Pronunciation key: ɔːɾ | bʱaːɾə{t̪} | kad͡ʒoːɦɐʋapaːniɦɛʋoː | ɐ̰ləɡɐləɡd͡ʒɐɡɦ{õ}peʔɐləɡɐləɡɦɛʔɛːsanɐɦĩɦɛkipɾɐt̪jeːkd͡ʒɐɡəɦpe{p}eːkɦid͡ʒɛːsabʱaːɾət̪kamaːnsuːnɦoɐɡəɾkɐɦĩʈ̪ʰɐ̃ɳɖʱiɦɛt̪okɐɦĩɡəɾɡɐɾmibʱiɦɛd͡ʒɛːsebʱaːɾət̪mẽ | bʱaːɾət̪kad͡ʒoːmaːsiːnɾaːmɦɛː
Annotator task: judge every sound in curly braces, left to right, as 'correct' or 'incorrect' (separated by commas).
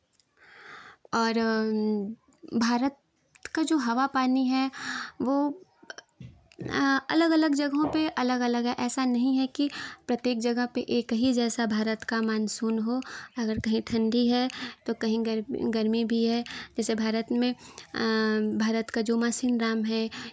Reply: correct, correct, incorrect